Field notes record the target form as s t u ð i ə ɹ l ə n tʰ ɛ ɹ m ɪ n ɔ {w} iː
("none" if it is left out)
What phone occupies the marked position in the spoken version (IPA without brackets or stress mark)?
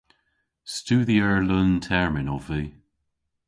v